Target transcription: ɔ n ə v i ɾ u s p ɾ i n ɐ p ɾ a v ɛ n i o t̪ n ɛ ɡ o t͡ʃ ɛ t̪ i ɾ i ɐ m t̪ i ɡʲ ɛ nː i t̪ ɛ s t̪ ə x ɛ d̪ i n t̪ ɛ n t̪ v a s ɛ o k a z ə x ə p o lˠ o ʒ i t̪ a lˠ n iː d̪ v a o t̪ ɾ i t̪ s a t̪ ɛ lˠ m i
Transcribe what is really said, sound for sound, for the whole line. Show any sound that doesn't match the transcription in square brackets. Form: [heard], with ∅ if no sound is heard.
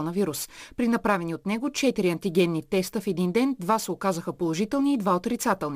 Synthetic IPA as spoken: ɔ n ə v i ɾ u s p ɾ i n ɐ p ɾ a v ɛ n i o t̪ n ɛ ɡ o t͡ʃ ɛ t̪ i ɾ i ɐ [n] t̪ i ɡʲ ɛ nː i t̪ ɛ s t̪ ə [f] ɛ d̪ i n [d̪] ɛ n [d̪] v a s ɛ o k a z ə x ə p o lˠ o ʒ i t̪ [ɛ] lˠ n iː d̪ v a o t̪ ɾ i t̪ s a t̪ ɛ lˠ [n] i